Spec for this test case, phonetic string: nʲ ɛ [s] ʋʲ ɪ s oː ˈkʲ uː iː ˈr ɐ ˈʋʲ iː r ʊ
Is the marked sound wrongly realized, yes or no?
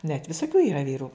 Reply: yes